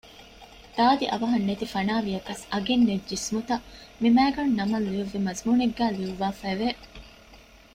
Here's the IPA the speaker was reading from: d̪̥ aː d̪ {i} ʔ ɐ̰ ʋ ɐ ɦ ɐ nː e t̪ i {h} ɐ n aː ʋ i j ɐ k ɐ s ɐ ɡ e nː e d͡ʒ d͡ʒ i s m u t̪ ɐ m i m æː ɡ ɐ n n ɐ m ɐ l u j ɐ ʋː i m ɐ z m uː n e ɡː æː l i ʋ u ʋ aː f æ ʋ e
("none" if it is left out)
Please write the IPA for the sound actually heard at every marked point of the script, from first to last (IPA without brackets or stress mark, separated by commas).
i, f